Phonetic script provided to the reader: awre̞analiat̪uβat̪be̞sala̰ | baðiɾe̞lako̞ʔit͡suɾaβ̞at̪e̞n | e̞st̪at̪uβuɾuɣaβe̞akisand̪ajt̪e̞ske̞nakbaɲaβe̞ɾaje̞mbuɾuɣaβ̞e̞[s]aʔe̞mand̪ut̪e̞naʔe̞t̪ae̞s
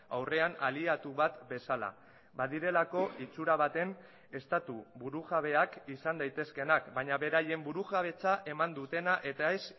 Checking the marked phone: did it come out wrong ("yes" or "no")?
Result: yes